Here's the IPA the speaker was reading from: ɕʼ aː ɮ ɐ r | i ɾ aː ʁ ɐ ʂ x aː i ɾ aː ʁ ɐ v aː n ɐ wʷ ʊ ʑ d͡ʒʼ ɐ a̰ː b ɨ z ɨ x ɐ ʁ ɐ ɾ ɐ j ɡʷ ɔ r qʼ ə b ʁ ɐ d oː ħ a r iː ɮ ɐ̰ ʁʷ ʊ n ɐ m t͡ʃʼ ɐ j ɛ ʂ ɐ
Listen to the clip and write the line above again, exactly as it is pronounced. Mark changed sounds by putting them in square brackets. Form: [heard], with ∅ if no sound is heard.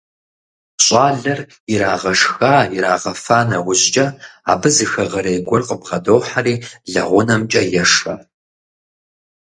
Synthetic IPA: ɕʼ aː ɮ ɐ r | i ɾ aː ʁ ɐ ʂ x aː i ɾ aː ʁ ɐ [f] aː n ɐ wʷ ʊ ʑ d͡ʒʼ ɐ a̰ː b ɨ z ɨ x ɐ ʁ ɐ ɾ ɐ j ɡʷ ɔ r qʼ ə b ʁ ɐ d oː ħ a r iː ɮ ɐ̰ ʁʷ ʊ n ɐ m t͡ʃʼ ɐ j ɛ ʂ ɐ